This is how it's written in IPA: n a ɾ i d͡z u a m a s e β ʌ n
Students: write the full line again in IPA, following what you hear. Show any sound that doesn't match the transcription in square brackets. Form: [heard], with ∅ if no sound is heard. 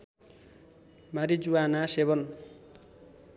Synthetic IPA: [m] a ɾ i d͡z u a [n] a s e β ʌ n